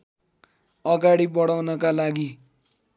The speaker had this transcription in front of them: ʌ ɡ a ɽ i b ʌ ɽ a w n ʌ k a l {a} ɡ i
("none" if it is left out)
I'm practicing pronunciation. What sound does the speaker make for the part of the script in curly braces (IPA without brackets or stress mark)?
a